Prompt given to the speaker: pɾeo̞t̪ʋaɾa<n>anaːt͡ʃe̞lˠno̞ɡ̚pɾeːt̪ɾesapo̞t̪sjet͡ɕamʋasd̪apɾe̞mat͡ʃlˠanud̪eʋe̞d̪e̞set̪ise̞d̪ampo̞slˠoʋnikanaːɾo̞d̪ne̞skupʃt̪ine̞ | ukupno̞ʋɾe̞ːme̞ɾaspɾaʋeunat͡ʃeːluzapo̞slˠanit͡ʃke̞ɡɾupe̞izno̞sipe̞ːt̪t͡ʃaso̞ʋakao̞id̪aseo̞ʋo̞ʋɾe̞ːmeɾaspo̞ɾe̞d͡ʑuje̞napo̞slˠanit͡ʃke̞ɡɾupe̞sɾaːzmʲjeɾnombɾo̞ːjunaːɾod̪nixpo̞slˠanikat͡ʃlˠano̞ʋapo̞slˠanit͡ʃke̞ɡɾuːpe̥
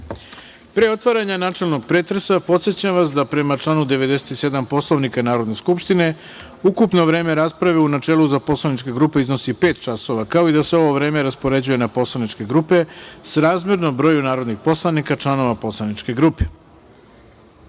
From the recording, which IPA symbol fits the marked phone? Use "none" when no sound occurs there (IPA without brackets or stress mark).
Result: ɲ